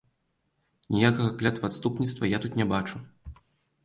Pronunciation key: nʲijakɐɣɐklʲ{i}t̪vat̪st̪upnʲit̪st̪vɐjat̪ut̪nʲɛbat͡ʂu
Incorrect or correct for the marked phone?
incorrect: a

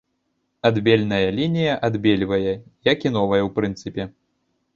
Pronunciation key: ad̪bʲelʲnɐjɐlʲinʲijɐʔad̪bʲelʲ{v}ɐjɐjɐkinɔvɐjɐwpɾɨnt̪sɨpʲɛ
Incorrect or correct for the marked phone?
correct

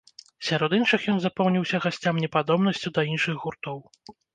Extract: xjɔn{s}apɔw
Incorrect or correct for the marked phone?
incorrect: z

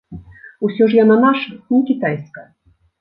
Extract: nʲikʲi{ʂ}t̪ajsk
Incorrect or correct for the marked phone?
incorrect: none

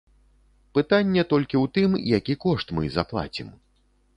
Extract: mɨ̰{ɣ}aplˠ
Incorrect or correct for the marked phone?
incorrect: z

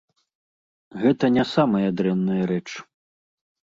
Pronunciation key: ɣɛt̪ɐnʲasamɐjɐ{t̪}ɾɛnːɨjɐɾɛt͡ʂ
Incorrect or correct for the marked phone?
incorrect: d̪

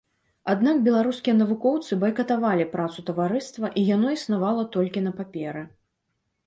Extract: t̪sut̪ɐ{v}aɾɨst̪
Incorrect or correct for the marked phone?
correct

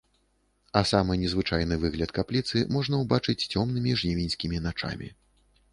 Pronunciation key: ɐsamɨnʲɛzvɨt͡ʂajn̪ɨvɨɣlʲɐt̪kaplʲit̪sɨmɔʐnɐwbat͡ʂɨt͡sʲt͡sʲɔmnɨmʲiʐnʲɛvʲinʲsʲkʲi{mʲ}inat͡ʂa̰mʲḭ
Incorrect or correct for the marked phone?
correct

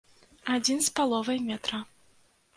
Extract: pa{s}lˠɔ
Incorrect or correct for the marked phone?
incorrect: none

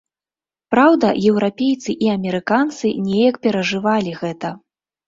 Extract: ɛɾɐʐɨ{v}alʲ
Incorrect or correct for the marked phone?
correct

